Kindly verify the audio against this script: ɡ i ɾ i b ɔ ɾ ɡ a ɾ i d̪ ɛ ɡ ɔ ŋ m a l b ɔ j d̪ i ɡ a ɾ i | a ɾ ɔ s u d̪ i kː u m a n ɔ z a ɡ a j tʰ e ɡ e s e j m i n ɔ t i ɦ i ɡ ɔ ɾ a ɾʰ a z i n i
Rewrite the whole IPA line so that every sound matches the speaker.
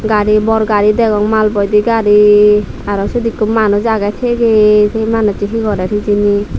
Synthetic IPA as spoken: ɡ a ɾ i b ɔ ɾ ɡ a ɾ i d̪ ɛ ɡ ɔ ŋ m a l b ɔ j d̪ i ɡ a ɾ i | a ɾ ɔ s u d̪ i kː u m a n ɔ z a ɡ a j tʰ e ɡ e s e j m a n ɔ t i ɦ i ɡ ɔ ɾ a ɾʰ i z i n i